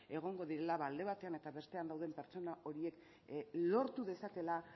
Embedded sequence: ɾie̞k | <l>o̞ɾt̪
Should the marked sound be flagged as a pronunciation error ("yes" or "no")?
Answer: no